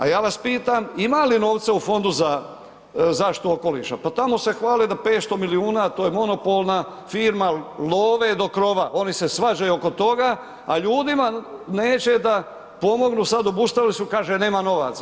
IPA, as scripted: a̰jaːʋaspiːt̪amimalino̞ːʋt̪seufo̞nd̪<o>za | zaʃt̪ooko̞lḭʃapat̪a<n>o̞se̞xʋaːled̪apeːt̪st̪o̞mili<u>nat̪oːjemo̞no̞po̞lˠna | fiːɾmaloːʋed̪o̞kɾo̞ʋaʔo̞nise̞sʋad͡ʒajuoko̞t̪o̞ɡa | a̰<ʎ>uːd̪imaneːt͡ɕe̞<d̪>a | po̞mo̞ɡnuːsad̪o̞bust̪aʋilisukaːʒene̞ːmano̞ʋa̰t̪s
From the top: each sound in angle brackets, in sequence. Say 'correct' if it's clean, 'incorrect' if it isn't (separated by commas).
incorrect, incorrect, incorrect, correct, correct